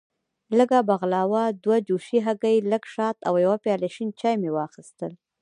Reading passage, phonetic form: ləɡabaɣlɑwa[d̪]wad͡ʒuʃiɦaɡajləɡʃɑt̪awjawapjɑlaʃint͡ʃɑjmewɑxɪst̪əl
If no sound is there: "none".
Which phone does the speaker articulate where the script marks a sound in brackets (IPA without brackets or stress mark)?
d̪